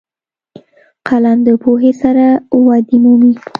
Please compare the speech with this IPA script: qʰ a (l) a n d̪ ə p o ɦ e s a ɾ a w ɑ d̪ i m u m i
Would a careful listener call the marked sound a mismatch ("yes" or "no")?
no